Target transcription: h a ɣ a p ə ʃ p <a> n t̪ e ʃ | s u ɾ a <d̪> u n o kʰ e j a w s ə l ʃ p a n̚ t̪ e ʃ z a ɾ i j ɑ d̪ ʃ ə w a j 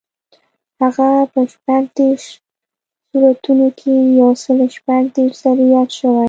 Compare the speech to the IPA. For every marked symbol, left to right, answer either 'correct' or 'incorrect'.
correct, incorrect: t̪

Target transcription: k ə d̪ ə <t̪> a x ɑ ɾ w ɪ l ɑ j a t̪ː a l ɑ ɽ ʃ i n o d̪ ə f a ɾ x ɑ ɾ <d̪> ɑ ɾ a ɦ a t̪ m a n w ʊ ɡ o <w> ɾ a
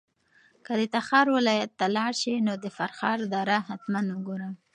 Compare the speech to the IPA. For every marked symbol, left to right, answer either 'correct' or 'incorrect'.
correct, correct, incorrect: none

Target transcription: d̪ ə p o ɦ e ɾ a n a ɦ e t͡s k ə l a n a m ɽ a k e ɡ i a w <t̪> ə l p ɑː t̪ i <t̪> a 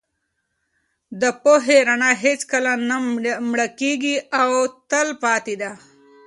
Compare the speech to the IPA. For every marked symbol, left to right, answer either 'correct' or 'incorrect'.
correct, incorrect: d̪

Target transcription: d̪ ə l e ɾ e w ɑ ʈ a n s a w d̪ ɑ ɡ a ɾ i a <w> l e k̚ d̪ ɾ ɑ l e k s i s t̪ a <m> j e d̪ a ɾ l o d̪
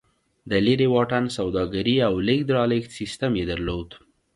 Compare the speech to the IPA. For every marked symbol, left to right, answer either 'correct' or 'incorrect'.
correct, correct

